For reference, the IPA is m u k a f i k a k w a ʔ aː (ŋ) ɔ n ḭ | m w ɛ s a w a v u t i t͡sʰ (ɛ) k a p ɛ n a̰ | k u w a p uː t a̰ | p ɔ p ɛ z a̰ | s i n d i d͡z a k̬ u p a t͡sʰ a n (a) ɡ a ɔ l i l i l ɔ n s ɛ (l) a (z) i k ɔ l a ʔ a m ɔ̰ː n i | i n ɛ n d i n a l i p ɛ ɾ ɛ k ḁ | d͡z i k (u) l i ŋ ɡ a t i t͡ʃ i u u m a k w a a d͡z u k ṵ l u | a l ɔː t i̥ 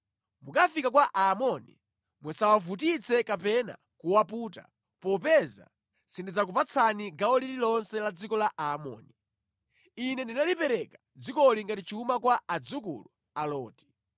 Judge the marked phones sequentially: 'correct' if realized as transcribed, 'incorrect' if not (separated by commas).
incorrect, correct, incorrect, correct, incorrect, incorrect